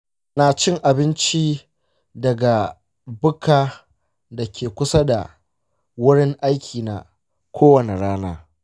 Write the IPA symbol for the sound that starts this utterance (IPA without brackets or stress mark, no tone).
n